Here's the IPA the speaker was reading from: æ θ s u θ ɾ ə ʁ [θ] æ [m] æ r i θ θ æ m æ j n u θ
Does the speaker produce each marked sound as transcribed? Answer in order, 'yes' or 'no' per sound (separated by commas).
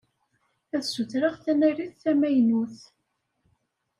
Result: yes, no